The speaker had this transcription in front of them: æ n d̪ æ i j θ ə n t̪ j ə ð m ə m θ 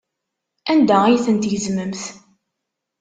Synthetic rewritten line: æ n d̪ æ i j θ ə n t̪ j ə z m ə m θ